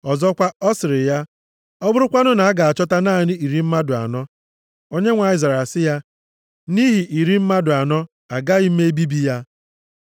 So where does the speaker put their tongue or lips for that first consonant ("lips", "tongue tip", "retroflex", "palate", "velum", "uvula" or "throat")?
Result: tongue tip